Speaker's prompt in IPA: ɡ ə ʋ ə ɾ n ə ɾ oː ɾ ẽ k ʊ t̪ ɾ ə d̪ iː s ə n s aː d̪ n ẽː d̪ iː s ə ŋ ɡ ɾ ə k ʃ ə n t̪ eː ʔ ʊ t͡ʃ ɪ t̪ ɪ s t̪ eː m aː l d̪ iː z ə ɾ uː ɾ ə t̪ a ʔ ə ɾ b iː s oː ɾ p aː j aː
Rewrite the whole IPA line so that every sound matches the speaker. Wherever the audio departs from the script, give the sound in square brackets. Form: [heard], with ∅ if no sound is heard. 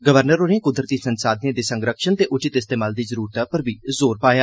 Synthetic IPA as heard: ɡ ə ʋ ə ɾ n ə ɾ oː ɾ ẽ k ʊ [d̪] ɾ ə [t̪] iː s ə n s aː d̪ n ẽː d̪ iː s ə ŋ ɡ ɾ ə k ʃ ə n t̪ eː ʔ ʊ t͡ʃ ɪ t̪ ɪ s t̪ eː m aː l d̪ iː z ə ɾ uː ɾ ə t̪ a [p] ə ɾ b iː [z] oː ɾ p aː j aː

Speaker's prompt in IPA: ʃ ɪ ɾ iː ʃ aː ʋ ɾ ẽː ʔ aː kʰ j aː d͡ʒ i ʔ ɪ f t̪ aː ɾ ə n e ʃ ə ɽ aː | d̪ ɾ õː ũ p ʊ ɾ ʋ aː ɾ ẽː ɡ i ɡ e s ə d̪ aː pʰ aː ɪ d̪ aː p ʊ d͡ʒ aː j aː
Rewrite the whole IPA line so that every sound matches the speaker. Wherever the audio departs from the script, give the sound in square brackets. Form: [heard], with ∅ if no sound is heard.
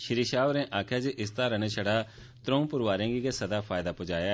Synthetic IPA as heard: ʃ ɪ ɾ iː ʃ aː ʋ ɾ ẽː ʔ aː kʰ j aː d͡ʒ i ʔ ɪ [s] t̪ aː ɾ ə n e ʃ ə ɽ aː | [t̪] ɾ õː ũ p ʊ ɾ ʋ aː ɾ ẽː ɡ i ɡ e s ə d̪ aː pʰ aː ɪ d̪ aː p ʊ d͡ʒ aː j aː

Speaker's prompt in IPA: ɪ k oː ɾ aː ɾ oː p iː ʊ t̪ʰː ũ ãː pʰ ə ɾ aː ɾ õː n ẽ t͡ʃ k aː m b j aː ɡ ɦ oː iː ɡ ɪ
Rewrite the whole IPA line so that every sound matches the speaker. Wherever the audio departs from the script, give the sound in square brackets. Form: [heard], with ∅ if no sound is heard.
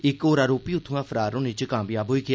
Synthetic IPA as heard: ɪ k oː ɾ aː ɾ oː p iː ʊ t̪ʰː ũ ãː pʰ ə ɾ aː ɾ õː n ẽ t͡ʃ k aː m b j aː [b] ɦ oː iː ɡ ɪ

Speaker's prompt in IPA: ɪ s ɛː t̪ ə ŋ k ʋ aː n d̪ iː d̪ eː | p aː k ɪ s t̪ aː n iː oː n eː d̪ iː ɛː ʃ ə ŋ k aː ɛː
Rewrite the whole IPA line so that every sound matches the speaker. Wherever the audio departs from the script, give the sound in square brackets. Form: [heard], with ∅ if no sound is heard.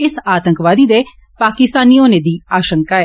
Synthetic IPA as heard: ɪ s [aː] t̪ ə ŋ k ʋ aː [∅] d̪ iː d̪ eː | p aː k ɪ s t̪ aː n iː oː n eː d̪ iː [aː] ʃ ə ŋ k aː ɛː

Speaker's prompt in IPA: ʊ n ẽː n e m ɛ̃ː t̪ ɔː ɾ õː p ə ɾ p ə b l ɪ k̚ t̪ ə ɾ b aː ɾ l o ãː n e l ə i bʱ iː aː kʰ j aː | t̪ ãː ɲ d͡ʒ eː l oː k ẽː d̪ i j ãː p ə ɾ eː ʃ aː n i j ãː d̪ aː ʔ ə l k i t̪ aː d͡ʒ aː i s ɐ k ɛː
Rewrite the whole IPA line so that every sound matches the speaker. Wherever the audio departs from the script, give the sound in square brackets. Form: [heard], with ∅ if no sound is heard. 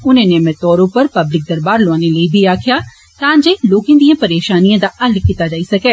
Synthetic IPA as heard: ʊ n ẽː n e m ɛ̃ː t̪ ɔː ɾ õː p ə ɾ p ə b l ɪ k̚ [d̪] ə ɾ b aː ɾ l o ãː n e l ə i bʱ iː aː kʰ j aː | t̪ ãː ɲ d͡ʒ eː l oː k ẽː d̪ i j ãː p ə ɾ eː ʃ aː n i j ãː d̪ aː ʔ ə l k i t̪ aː d͡ʒ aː i s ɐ k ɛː

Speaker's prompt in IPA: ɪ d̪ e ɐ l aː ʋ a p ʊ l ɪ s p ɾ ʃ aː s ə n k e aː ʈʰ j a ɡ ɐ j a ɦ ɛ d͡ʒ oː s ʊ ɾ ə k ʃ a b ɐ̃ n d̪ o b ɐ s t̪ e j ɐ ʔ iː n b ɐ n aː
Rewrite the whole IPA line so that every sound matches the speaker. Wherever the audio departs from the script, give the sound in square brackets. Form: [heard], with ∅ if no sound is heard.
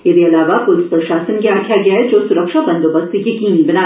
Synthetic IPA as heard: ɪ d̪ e ɐ l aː ʋ a p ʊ l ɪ s p ɾ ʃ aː s ə n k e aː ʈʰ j a ɡ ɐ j a ɦ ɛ d͡ʒ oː s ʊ ɾ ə k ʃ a b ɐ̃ n d̪ o b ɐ s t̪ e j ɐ [k] iː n b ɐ n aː

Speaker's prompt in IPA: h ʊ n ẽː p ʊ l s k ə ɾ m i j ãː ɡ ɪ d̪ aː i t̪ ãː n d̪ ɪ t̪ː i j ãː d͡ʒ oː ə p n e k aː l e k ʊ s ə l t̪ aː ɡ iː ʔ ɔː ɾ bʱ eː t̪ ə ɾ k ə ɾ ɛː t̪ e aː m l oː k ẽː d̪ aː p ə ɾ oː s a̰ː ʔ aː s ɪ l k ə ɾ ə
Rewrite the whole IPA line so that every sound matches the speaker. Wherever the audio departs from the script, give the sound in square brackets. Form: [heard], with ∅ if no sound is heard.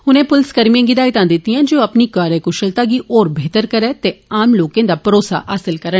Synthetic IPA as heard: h ʊ n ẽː p ʊ l s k ə ɾ m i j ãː ɡ ɪ d̪ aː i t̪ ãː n d̪ ɪ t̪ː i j ãː d͡ʒ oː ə p n [i] k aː [ɾ] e k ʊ [ʃ] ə l t̪ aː ɡ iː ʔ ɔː ɾ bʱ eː t̪ ə ɾ k ə ɾ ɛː t̪ e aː m l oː k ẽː d̪ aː p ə ɾ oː s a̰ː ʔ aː s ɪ l k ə ɾ ə

